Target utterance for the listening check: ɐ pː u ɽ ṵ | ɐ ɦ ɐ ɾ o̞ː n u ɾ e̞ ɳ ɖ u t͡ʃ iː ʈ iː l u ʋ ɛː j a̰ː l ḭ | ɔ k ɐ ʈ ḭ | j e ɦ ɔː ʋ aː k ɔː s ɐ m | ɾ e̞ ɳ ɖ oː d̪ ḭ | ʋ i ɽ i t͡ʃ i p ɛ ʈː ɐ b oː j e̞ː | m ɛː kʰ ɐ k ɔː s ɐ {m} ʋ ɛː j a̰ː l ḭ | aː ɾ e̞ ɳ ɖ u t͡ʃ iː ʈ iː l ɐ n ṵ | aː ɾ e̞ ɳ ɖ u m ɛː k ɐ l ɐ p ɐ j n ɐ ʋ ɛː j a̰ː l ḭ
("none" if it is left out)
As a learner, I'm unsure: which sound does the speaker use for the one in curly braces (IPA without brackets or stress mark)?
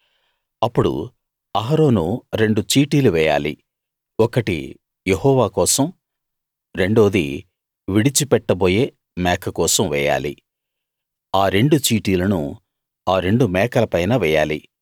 m